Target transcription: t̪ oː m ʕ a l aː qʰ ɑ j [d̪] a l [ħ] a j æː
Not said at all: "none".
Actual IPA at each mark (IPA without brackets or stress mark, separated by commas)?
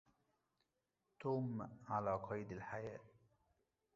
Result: d̪, ħ